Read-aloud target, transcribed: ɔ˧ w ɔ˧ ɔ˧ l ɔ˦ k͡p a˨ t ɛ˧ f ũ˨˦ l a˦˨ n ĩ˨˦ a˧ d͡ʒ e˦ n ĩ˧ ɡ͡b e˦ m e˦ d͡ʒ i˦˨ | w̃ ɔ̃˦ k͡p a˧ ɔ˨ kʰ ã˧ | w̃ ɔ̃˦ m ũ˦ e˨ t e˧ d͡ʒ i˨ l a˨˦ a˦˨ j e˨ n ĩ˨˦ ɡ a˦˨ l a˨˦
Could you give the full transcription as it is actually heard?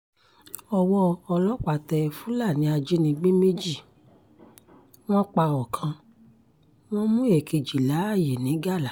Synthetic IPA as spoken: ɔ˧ w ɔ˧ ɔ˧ l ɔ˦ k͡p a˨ t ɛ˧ f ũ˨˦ l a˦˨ n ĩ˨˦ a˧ d͡ʒ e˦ n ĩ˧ ɡ͡b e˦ m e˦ d͡ʒ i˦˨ | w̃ ɔ̃˦ k͡p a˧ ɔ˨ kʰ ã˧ | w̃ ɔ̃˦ m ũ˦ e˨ k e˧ d͡ʒ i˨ l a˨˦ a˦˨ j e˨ n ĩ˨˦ ɡ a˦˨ l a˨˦